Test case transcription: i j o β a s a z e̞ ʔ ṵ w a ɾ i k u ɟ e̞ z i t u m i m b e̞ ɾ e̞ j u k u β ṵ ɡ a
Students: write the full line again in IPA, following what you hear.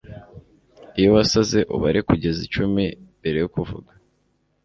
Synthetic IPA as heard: i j o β a s a z e̞ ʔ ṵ β a ɾ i k u ɟ e̞ z i t͡ʃ u m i m b e̞ ɾ e̞ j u k u v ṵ ɡ a

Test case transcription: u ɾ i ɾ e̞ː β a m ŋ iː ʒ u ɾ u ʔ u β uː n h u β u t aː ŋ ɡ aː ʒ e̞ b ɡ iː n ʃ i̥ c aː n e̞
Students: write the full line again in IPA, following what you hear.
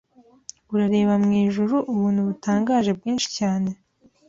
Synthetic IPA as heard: u ɾ a ɾ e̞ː β a m ŋ iː ʒ u ɾ u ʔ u β uː n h u β u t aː ŋ ɡ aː ʒ e̞ b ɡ iː n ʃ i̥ c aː n e̞

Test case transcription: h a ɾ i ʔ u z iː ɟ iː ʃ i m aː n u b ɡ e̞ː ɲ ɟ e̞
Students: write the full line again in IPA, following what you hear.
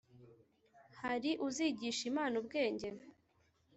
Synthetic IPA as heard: h a ɾ i ʔ u z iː ɟ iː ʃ i m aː n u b ɡ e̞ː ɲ ɟ e̞

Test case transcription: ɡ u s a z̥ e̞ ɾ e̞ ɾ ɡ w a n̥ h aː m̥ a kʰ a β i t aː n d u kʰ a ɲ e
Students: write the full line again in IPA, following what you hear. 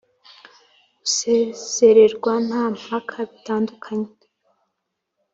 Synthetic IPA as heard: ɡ u s e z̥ e̞ ɾ e̞ ɾ ɡ w a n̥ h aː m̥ a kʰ a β i t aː n d u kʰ a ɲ e

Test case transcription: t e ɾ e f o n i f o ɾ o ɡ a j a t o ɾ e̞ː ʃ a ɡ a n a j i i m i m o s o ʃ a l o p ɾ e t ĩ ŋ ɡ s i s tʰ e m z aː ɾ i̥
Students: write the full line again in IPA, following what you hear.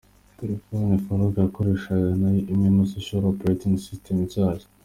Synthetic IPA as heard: t e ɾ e f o n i f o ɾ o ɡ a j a k o ɾ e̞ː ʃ a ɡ a n a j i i m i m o s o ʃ a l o p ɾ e t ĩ ŋ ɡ s i s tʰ e m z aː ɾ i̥

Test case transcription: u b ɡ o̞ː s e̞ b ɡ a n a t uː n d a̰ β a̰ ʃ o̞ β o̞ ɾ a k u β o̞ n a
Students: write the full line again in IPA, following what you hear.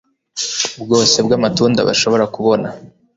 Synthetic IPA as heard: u b ɡ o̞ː s e̞ b ɡ a m a t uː n d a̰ β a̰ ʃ o̞ β o̞ ɾ a k u β o̞ n a

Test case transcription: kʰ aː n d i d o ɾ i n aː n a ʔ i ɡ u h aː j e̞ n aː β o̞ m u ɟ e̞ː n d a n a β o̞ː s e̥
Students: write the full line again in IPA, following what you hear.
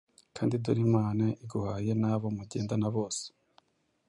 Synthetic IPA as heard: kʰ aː n d i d u ɾ i m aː n a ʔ i ɡ u h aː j e̞ n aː β o̞ m u ɟ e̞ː n d a n a β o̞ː s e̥

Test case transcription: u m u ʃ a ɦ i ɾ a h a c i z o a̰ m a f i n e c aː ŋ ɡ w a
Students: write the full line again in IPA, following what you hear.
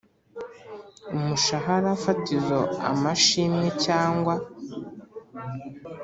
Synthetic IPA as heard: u m u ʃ a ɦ a ɾ a f a t i z o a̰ m a ʃ i m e c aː ŋ ɡ w a

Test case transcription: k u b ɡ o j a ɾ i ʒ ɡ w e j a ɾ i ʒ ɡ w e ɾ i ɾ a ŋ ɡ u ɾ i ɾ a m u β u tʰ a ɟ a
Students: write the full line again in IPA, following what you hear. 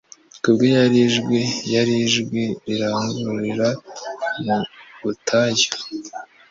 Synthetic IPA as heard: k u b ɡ o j a ɾ i ʒ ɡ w e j a ɾ i ʒ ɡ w e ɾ i ɾ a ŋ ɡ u ɾ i ɾ a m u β u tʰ a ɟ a

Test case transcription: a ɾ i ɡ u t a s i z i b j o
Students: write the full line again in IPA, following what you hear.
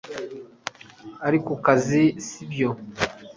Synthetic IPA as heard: a ɾ i k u k a z i s i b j o

